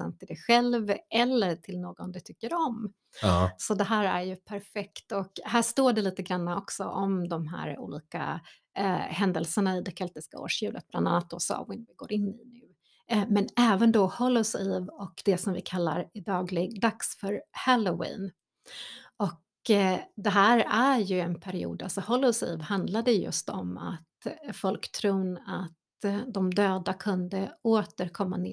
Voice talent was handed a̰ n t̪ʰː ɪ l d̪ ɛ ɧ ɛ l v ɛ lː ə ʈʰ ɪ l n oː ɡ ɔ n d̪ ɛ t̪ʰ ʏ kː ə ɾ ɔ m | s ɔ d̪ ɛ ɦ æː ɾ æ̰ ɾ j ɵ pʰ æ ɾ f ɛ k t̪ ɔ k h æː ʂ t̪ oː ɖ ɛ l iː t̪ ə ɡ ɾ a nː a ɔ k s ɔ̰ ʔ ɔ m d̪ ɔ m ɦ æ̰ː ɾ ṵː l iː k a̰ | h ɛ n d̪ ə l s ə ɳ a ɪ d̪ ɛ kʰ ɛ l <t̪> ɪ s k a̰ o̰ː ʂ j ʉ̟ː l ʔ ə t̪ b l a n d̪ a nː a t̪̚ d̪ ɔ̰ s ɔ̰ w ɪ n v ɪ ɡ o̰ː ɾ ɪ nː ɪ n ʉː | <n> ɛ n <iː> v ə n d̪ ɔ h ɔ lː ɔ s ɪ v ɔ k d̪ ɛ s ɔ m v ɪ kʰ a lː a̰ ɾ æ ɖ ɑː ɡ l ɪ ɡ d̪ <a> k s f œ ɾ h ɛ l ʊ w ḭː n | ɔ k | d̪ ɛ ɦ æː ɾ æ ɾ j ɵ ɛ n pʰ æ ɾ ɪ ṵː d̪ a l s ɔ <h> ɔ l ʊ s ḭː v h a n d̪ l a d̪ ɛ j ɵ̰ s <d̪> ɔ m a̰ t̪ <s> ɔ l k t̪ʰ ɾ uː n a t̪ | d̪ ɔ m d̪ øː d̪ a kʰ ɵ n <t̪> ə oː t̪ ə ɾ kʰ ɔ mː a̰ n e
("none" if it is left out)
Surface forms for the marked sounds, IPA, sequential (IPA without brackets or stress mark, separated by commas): t̪, m, ɛː, a, h, t̪, f, d̪